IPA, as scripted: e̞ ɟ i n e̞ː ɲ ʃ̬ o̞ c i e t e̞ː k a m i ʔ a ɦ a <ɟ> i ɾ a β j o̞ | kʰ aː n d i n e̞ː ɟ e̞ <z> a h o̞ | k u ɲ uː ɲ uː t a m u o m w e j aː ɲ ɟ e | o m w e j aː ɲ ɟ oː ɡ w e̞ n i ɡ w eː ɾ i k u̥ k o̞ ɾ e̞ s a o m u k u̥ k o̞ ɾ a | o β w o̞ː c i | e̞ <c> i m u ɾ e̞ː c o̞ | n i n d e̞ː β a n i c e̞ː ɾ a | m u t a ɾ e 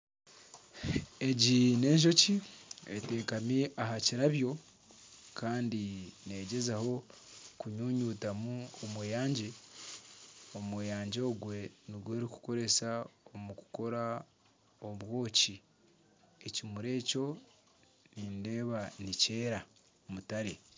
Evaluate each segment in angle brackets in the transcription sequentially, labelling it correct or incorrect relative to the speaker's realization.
incorrect: c, correct, correct

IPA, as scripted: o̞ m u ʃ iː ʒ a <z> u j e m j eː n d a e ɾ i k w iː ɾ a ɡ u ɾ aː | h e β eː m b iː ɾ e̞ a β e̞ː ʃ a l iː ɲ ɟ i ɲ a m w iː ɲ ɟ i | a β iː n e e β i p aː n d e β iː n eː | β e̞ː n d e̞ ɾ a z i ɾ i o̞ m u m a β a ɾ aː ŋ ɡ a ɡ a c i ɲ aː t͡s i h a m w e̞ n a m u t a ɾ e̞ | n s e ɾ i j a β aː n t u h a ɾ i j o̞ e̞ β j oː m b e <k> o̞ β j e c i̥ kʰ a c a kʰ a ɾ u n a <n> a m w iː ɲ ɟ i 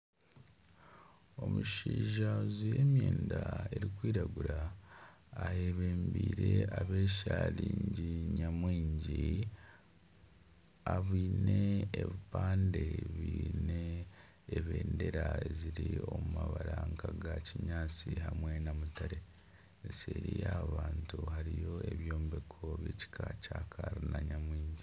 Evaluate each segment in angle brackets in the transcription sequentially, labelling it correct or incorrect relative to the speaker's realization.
correct, incorrect: kʰ, incorrect: ɲ

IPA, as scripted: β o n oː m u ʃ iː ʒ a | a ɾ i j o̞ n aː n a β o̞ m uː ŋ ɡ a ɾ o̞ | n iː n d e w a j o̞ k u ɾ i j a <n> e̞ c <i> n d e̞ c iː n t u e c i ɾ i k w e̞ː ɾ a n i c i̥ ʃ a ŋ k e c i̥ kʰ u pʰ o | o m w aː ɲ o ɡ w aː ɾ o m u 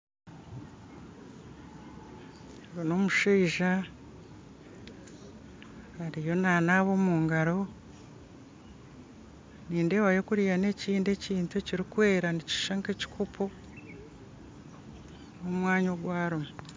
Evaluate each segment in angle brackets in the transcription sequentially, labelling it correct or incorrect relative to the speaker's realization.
correct, incorrect: iː

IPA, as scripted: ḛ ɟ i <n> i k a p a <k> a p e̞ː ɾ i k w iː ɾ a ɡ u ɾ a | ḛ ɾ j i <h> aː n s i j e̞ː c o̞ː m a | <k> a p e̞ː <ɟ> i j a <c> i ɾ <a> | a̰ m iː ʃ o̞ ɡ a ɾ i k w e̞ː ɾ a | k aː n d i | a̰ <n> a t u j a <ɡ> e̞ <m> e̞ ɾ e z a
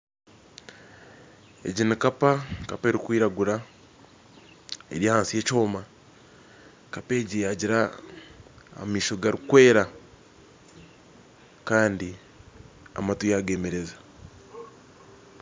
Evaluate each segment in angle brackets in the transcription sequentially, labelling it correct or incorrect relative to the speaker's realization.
correct, correct, correct, correct, correct, incorrect: ɟ, correct, incorrect: m, correct, correct

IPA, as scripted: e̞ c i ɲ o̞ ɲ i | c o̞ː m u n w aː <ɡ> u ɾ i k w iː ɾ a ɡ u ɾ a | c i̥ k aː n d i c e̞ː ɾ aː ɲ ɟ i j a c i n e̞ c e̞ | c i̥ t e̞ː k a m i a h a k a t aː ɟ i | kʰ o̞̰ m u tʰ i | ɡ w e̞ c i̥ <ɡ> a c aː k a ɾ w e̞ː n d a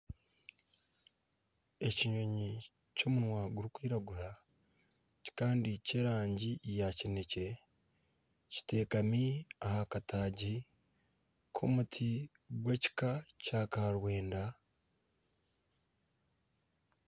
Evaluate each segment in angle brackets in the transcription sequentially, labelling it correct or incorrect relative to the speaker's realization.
correct, incorrect: k

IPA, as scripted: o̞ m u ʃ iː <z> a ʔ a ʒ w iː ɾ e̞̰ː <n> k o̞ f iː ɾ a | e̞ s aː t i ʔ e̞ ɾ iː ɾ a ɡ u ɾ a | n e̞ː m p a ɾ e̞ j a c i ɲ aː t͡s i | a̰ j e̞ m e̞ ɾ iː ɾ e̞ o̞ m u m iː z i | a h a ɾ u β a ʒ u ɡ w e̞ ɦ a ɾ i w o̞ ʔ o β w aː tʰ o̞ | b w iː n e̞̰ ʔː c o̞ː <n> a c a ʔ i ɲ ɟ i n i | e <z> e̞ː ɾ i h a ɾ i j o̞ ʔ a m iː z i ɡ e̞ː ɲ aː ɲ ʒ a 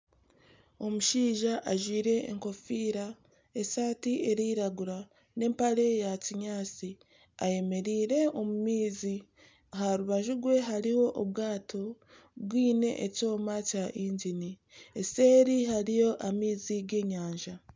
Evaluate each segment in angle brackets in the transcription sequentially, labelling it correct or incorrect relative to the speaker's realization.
incorrect: ʒ, incorrect: ŋ, incorrect: m, incorrect: s

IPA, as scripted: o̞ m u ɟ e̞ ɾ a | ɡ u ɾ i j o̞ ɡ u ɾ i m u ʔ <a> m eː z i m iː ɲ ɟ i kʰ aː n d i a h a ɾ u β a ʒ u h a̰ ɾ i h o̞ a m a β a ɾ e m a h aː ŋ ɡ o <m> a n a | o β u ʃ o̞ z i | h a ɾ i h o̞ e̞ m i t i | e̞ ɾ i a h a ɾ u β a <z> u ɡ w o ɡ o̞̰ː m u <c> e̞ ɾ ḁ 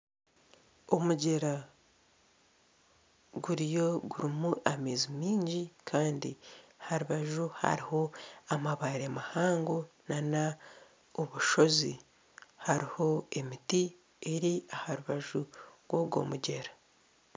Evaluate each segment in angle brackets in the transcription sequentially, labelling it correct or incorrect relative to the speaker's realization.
correct, incorrect: n, incorrect: ʒ, incorrect: ɟ

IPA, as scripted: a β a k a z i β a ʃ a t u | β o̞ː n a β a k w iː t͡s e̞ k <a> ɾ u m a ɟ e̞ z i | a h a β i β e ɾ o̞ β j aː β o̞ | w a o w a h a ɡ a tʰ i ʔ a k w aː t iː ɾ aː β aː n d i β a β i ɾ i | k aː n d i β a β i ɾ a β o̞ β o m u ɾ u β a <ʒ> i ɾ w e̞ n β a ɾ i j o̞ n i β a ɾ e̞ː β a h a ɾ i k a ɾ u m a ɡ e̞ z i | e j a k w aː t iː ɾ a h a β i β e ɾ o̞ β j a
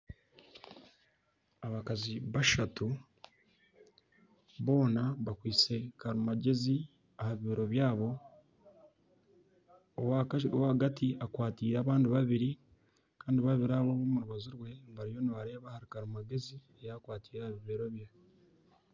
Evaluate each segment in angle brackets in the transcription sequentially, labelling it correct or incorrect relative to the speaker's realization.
correct, incorrect: z

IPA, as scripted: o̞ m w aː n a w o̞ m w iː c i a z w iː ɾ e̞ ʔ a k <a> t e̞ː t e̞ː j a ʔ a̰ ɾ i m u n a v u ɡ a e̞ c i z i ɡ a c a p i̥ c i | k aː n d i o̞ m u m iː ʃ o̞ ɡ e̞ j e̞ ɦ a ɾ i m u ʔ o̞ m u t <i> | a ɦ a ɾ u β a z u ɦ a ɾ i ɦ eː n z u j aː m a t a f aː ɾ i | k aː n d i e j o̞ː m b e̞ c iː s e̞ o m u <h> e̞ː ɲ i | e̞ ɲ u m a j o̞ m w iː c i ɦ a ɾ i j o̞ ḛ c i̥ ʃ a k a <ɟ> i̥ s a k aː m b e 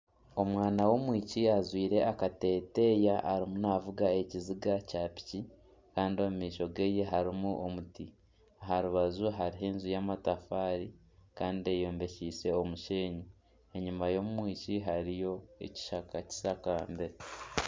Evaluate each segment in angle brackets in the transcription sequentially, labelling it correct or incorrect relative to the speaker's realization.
correct, correct, incorrect: ʃ, incorrect: c

